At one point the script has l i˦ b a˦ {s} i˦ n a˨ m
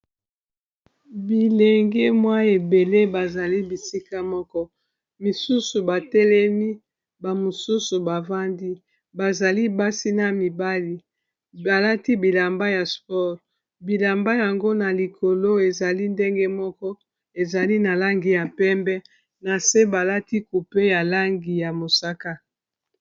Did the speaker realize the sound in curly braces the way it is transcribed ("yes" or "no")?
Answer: yes